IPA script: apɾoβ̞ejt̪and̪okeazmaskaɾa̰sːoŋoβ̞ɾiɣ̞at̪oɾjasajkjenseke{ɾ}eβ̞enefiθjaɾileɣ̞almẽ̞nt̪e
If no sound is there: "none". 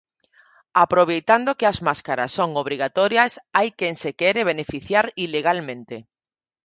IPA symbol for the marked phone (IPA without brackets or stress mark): ɾ